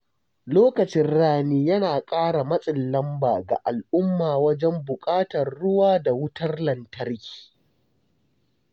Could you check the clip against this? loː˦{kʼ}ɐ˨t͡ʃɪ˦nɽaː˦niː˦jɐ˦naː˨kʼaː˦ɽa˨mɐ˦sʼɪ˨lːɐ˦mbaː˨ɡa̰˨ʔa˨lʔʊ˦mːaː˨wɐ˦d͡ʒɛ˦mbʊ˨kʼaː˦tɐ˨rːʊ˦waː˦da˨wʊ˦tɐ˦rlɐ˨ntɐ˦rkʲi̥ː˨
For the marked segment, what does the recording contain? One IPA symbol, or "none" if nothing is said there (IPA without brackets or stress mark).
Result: k